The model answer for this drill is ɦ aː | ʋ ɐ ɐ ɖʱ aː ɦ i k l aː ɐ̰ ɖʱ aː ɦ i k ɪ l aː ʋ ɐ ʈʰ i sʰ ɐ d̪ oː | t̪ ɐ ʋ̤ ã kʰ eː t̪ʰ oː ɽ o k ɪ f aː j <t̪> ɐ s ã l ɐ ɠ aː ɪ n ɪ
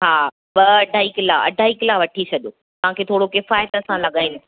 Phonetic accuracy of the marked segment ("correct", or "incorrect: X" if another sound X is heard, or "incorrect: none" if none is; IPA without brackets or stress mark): correct